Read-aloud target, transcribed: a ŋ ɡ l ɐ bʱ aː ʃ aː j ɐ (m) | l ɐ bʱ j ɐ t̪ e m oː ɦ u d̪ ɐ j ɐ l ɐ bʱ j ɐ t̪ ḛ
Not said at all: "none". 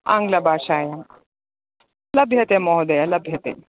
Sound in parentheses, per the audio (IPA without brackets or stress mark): ŋ